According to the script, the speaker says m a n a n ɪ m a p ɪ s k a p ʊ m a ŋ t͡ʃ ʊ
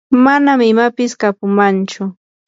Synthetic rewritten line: m a n a m ɪ m a p ɪ s k a p ʊ m a n t͡ʃ ʊ